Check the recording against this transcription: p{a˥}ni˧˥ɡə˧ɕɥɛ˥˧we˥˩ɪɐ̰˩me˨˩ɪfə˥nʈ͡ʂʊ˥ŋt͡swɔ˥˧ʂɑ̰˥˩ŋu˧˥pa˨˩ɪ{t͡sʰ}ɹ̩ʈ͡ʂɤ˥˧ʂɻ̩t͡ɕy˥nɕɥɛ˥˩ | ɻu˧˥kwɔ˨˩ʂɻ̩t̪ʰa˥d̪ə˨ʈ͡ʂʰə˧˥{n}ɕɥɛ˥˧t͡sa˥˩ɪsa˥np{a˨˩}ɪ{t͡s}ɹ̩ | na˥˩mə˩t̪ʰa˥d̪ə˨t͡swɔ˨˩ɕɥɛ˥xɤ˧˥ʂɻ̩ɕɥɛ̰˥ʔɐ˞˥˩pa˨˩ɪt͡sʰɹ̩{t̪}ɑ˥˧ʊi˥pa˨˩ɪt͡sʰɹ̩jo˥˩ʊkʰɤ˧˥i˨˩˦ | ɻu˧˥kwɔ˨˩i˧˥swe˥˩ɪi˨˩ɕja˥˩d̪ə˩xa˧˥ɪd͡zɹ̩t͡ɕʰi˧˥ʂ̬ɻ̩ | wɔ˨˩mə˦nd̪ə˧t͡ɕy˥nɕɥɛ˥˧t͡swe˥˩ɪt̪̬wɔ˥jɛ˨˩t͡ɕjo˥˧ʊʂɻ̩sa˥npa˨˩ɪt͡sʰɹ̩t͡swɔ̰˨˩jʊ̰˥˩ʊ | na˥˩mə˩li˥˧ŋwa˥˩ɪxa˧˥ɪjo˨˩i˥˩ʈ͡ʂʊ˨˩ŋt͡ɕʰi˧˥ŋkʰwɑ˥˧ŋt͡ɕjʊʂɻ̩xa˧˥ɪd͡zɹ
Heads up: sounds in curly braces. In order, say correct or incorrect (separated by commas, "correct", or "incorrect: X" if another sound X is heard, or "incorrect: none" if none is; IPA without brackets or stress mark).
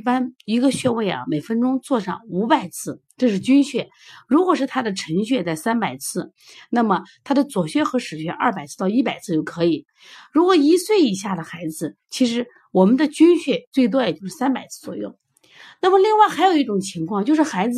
correct, correct, incorrect: ŋ, correct, incorrect: t͡sʰ, correct